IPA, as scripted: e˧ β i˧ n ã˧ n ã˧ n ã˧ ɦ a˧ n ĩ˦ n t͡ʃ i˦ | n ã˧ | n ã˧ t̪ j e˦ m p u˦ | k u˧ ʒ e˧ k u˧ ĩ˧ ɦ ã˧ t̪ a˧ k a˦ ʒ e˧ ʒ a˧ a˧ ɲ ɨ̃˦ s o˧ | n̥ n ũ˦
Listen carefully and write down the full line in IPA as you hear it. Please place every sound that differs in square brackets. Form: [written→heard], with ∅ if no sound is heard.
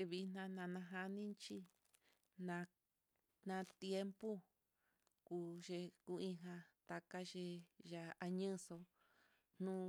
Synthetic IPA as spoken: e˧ β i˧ n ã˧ n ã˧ n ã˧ ɦ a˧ n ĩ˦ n t͡ʃ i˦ | n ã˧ | n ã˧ t̪ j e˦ m p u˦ | k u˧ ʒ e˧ k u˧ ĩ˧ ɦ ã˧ t̪ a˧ k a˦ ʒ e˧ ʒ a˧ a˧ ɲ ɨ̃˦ s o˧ | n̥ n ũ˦

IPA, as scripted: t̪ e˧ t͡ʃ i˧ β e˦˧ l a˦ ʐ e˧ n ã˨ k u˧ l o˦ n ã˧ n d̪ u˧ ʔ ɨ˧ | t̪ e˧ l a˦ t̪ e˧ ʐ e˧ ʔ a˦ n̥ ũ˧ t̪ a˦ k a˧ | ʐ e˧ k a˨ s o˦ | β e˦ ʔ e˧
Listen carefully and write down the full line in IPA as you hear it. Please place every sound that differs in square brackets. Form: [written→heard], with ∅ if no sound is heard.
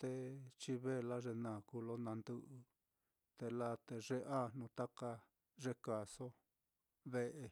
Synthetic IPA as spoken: t̪ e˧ t͡ʃ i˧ β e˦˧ l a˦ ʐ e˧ n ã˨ k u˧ l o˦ n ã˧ n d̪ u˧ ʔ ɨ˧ | t̪ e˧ l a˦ t̪ e˧ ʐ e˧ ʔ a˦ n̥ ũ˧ t̪ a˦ k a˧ | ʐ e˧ k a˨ s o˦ | β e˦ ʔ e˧

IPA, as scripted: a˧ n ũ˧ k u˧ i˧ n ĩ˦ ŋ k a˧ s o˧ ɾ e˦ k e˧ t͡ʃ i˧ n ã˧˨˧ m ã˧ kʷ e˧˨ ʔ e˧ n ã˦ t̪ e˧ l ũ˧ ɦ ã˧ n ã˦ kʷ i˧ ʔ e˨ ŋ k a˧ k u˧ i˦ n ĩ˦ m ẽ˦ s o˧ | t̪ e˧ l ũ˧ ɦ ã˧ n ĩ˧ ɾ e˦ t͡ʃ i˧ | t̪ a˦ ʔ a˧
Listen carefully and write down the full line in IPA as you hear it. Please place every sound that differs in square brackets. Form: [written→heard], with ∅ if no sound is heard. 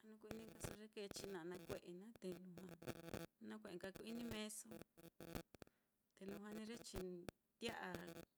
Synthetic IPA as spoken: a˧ n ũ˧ k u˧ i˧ n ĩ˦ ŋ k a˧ s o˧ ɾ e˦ k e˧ t͡ʃ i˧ n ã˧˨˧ [m→n] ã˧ kʷ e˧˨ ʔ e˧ n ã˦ t̪ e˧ l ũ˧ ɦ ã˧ n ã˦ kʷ [i˧→e˧] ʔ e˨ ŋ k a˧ k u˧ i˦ n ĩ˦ m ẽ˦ s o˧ | t̪ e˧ l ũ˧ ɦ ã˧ n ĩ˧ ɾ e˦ t͡ʃ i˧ | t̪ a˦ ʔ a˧

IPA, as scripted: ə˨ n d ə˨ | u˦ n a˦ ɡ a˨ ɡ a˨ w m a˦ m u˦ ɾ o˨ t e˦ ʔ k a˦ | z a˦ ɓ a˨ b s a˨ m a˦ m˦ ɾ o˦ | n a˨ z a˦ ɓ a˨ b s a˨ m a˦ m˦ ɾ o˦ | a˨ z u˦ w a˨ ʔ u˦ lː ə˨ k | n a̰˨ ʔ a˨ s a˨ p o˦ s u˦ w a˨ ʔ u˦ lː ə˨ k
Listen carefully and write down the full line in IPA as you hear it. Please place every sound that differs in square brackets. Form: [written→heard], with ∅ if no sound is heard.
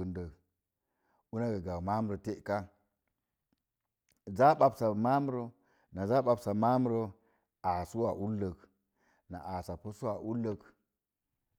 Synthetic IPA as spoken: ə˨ n d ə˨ | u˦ n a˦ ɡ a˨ ɡ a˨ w m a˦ m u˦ ɾ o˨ t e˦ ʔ k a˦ | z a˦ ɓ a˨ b s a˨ m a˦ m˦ ɾ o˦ | n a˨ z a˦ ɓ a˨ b s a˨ m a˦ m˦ ɾ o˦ | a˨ [z→s] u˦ w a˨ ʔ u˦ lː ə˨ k | n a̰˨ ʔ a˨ s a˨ p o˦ s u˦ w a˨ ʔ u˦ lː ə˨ k

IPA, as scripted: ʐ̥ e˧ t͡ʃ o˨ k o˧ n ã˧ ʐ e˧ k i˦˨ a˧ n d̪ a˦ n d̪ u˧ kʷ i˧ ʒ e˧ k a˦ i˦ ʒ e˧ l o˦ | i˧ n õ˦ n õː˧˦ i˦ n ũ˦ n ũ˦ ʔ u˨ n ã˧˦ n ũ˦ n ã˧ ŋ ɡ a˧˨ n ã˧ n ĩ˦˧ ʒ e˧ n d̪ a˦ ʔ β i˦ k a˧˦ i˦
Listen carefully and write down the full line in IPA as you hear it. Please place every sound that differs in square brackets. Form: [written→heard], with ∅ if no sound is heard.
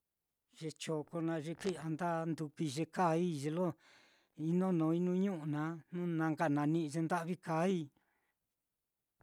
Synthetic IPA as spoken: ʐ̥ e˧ t͡ʃ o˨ k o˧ n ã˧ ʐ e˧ k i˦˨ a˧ n d̪ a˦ n d̪ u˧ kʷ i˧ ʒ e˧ k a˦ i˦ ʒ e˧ l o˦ | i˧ n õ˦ n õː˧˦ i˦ n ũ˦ [n→ɲ] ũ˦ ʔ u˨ n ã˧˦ n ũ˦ n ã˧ ŋ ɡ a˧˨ n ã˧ n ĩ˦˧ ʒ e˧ n d̪ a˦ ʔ β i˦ k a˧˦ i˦

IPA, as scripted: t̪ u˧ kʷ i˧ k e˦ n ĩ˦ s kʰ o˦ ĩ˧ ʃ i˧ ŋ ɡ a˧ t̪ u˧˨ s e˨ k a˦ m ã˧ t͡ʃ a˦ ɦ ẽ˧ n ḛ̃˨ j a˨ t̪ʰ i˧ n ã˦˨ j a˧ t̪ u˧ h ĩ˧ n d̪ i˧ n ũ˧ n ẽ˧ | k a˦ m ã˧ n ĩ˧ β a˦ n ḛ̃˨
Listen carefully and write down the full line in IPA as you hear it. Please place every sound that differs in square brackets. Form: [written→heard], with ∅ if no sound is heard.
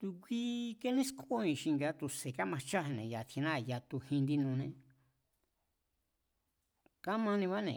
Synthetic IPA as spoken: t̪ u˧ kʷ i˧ k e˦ n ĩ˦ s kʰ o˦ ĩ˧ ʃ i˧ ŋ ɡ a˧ t̪ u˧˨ s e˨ k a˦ m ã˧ t͡ʃ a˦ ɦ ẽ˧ n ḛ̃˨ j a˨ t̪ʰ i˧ n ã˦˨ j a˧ t̪ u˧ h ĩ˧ n d̪ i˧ n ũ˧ n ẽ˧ | k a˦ m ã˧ n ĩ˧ β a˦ n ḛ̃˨

